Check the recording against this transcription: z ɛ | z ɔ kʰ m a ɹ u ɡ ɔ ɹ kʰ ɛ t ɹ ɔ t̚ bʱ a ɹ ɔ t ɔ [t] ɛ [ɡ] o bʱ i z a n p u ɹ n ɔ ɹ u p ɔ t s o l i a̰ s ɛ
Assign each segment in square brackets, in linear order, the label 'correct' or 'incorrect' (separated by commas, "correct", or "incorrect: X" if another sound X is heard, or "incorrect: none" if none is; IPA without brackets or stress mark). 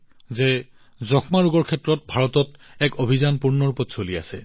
correct, incorrect: k